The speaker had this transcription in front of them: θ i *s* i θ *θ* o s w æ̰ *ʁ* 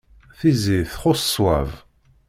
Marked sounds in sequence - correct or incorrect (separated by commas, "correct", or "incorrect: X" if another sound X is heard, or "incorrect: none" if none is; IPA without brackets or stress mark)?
incorrect: z, incorrect: χ, incorrect: v